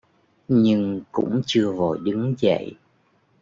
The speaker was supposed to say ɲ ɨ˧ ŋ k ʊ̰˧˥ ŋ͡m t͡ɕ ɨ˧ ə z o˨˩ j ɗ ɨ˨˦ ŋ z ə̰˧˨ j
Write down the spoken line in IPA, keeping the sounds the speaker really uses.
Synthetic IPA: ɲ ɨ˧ ŋ k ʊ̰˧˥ ŋ͡m t͡ɕ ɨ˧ ə v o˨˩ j ɗ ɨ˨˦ ŋ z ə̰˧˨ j